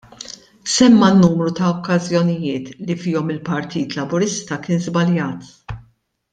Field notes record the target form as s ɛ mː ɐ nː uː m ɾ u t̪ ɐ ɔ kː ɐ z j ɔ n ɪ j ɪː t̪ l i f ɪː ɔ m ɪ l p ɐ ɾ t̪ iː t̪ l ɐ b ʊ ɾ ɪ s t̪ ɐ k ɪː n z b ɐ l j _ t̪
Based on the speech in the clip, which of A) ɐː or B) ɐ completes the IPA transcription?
A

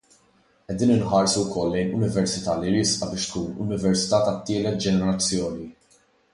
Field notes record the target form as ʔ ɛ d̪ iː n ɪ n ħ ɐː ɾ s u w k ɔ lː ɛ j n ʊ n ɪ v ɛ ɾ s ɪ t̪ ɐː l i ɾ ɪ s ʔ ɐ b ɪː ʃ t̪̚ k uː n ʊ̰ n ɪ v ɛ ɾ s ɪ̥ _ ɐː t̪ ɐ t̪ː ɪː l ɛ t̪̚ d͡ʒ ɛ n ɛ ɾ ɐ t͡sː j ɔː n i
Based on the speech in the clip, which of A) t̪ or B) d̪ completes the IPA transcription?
A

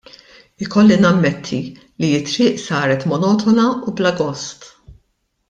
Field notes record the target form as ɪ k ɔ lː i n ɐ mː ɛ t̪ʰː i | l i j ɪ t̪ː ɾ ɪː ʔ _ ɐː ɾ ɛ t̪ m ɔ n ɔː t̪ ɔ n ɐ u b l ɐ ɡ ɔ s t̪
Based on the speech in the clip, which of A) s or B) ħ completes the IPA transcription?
A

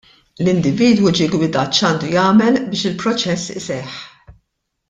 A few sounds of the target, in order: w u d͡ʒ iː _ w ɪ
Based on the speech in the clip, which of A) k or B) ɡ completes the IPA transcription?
B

